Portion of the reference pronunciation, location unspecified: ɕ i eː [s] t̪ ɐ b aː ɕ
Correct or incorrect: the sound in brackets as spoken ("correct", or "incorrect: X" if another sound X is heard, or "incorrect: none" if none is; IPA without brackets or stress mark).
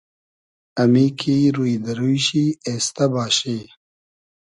correct